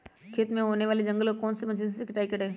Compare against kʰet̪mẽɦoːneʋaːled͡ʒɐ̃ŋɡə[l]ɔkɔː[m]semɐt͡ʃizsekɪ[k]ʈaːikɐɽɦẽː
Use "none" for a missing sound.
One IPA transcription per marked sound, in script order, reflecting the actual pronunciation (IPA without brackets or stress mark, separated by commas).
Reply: l, n, none